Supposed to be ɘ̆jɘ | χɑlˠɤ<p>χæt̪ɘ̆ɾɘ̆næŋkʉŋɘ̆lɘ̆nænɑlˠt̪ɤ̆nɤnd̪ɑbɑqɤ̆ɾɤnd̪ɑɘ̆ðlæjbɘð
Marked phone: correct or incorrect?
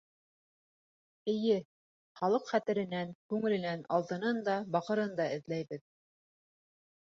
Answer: incorrect